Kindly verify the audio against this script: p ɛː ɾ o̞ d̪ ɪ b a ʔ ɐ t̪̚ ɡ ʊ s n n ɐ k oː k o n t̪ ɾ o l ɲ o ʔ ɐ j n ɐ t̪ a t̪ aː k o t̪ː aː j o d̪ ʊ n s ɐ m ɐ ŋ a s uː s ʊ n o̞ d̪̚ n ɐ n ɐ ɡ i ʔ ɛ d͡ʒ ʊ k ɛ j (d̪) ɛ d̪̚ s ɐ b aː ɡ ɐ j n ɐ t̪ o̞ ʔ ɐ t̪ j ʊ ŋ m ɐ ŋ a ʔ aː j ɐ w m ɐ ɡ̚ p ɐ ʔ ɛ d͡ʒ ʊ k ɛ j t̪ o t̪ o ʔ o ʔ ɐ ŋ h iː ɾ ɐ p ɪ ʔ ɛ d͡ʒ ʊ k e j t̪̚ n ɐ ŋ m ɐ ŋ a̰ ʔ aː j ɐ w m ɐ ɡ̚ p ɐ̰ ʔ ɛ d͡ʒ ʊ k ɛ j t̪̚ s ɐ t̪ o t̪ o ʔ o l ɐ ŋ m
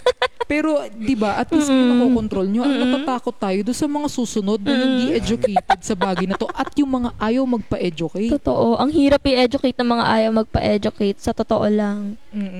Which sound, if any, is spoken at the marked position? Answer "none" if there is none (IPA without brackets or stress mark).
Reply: t̪